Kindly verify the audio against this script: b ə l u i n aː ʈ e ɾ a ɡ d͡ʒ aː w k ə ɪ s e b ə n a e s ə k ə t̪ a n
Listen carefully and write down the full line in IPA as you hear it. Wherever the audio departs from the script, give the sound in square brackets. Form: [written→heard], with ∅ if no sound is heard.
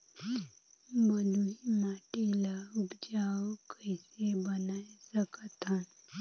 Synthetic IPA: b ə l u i [n→m] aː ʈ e [ɾ→l] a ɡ d͡ʒ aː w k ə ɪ s e b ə n a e s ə k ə t̪ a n